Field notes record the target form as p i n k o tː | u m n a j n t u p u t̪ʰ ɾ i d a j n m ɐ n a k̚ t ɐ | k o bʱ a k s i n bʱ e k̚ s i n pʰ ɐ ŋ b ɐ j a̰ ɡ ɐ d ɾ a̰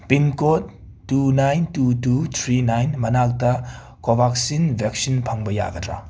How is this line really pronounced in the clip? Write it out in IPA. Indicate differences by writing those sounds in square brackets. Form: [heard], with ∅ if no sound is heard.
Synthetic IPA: p i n k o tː | u [∅] n a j n t u [t] u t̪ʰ ɾ i [n] a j n m ɐ n a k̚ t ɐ | k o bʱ a k s i n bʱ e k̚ s i n pʰ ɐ ŋ b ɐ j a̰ ɡ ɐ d ɾ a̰